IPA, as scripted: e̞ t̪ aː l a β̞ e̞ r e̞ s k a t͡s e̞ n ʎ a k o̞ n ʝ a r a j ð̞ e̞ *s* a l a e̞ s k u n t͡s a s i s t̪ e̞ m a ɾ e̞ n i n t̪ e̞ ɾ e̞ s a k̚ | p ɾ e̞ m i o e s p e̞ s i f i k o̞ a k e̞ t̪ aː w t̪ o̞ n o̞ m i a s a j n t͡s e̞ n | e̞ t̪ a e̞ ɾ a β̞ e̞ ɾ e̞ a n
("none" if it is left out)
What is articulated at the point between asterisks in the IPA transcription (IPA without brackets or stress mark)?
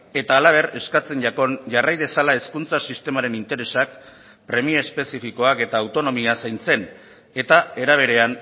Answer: s